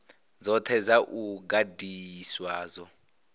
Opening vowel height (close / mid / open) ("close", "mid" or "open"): mid